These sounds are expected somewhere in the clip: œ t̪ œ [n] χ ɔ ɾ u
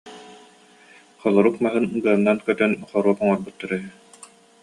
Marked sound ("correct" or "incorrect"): correct